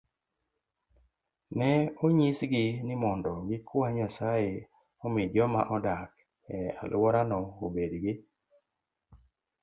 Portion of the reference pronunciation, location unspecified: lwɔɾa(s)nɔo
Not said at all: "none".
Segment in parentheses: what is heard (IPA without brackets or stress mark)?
none